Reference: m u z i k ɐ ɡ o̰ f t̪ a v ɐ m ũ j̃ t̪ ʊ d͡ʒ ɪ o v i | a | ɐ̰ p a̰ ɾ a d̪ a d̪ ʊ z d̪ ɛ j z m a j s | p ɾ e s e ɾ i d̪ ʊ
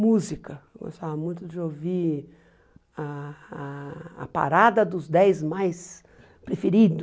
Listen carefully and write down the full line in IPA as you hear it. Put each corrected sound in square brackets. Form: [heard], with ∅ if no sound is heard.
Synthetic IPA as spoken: m u z i k ɐ ɡ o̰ [s] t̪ a v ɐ m ũ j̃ t̪ ʊ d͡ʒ ɪ o v i | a | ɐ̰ p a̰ ɾ a d̪ [ɐ] d̪ ʊ z d̪ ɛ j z m a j s | p ɾ e [f] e ɾ i d̪ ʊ